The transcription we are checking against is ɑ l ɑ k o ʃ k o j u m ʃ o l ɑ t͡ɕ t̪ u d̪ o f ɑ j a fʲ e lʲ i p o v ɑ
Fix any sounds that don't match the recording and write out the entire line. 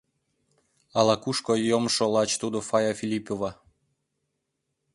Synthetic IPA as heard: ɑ l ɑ k u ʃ k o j o m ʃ o l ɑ t͡ɕ t̪ u d̪ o f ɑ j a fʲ i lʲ i p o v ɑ

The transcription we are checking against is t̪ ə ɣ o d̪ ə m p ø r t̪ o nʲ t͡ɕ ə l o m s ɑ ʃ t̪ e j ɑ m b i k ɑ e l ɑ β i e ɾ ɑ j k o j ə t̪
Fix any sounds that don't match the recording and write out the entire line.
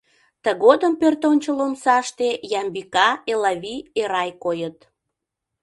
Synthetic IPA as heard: t̪ ə ɣ o d̪ ə m p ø r t̪ o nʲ t͡ɕ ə l o m s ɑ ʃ t̪ e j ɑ m b i k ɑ e l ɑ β i e ɾ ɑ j k o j ə t̪

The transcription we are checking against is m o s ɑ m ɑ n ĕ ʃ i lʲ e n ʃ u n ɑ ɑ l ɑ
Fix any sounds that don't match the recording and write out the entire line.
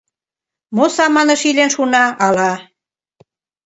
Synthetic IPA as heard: m o s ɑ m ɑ n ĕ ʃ i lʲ e n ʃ u n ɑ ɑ l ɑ

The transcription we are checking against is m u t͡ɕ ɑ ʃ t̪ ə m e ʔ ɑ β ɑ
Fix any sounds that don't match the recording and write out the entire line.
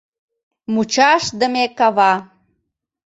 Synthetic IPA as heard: m u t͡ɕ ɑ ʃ d̪ ə m e k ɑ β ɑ

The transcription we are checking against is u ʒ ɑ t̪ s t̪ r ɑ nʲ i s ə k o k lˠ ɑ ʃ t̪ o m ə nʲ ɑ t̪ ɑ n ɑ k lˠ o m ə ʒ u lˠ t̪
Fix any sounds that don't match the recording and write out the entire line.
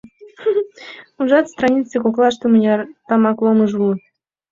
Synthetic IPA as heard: u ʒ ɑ t̪ s t̪ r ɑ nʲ i t͡s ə k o k lˠ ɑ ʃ t̪ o m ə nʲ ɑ t̪ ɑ m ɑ k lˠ o m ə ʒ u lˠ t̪

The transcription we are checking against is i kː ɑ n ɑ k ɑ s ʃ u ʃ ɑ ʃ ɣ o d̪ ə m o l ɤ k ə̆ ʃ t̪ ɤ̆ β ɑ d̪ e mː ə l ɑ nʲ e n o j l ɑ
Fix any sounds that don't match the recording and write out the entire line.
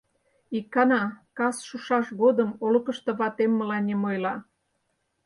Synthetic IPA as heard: i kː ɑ n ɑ k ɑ s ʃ u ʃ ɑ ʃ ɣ o d̪ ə m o l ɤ k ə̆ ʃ t̪ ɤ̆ β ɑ t̪ e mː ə l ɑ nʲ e m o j l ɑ

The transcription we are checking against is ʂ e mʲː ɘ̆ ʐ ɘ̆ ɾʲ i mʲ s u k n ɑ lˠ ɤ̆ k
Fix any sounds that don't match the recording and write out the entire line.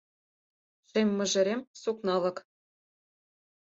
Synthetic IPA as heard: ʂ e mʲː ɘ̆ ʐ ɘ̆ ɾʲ e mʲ s u k n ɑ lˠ ɤ̆ k

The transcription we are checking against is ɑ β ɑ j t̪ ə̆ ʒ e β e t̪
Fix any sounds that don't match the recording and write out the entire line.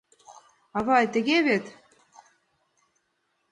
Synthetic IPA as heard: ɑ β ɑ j t̪ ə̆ ɣ e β e t̪

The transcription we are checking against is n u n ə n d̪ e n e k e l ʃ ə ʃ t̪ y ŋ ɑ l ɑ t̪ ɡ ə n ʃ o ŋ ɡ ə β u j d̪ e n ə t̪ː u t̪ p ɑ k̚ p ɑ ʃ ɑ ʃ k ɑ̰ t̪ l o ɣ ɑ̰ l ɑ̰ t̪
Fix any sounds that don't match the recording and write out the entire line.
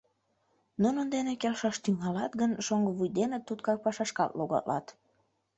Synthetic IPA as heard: n u n ə n d̪ e n e k e l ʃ ɑ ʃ t̪ y ŋ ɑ l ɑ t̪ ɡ ə n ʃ o ŋ ɡ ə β u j d̪ e n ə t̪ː u t̪ k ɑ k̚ p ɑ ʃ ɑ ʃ k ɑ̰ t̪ l o ɣ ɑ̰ l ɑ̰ t̪

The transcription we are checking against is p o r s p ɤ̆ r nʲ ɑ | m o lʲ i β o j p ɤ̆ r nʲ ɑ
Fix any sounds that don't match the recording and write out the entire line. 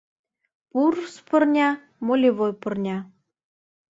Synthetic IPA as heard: p u r s p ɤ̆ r nʲ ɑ | m o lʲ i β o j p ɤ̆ r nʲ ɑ

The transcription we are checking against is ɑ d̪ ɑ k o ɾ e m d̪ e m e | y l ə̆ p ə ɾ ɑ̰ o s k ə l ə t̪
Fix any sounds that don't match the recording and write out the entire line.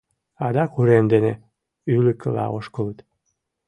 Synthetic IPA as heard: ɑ d̪ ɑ k u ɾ e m d̪ e n e | y l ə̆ k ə l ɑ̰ o ʃ k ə l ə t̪

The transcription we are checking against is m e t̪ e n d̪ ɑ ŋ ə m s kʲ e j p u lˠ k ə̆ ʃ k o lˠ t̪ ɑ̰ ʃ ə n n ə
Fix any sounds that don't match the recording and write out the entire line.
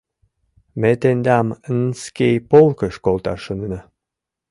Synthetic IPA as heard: m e t̪ e n d̪ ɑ m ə n s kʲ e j p o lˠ k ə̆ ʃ k o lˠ t̪ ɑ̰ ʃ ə n n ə

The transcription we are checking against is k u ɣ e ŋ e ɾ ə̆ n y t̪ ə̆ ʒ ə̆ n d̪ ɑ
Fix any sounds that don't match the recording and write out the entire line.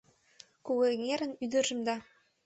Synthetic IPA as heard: k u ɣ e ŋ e ɾ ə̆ n y d̪ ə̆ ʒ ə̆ m d̪ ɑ

